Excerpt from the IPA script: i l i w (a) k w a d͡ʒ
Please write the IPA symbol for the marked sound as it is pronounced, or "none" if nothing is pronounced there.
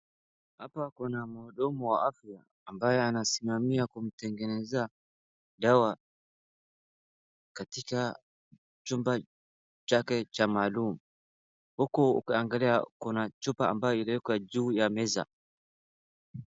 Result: ɛ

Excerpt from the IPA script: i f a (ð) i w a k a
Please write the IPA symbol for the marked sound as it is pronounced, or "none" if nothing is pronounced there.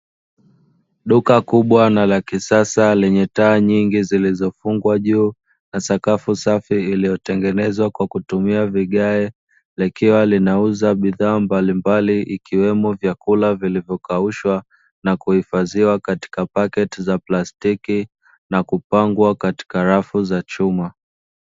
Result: z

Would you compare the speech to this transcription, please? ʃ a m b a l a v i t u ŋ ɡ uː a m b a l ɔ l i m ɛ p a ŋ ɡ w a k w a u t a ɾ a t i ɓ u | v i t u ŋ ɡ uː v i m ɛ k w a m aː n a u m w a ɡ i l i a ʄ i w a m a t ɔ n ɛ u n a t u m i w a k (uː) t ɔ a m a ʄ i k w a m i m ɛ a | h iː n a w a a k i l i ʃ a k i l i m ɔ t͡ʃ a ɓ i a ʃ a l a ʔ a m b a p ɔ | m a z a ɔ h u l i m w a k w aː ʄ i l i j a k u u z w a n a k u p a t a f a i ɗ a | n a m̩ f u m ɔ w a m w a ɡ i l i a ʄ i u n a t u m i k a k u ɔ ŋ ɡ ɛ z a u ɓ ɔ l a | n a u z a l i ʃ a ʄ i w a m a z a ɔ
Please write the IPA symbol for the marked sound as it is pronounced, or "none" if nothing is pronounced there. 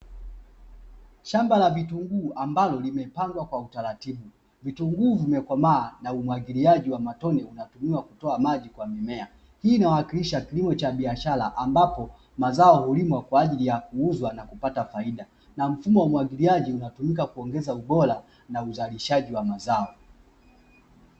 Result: u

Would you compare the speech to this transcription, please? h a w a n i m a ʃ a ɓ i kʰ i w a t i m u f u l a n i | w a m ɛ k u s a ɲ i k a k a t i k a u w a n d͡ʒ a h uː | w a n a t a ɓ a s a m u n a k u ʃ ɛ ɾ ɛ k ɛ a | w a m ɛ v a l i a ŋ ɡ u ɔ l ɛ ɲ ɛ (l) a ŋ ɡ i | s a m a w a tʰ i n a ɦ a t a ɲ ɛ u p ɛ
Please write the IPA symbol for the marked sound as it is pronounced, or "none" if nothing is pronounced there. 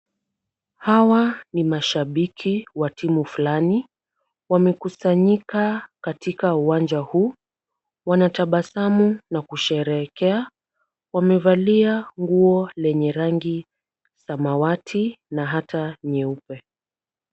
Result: ɾ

